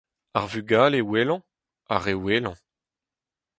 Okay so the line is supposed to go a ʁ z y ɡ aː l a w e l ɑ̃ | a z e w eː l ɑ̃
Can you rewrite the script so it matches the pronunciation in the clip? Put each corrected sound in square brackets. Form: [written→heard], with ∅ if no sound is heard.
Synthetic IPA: a ʁ [z→v] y ɡ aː l [a→e] w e l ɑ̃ | a [z→ʁ] e w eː l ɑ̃